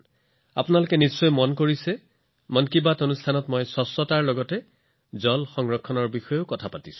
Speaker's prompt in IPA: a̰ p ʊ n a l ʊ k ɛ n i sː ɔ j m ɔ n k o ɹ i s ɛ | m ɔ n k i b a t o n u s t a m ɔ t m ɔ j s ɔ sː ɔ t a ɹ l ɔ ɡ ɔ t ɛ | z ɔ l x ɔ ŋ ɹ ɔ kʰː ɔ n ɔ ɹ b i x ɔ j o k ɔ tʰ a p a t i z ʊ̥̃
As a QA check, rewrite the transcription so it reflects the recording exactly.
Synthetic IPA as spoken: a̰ p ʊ n a l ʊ k ɛ n i sː ɔ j m ɔ n k o ɹ i s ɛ | m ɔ n k i b a t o n u s tʰ a n ɔ t m ɔ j s ɔ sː ɔ t a ɹ l ɔ ɡ ɔ t ɛ | z ɔ l x ɔ ŋ ɹ ɔ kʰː ɔ n ɔ ɹ b i x ɔ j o k ɔ tʰ a p a t i s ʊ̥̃